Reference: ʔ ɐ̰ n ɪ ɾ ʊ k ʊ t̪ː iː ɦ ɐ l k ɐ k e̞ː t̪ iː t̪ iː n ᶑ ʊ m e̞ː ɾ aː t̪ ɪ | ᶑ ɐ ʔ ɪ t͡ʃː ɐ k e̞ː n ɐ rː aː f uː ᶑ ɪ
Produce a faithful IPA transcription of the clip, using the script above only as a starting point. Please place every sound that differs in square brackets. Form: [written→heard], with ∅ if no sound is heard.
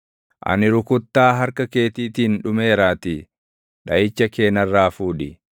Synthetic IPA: ʔ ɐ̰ n ɪ ɾ ʊ k ʊ t̪ː [iː→aː] ɦ ɐ [l→ɾ] k ɐ k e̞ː t̪ iː t̪ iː n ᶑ ʊ m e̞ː ɾ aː t̪ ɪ | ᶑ ɐ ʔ ɪ t͡ʃː ɐ k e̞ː n ɐ rː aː f uː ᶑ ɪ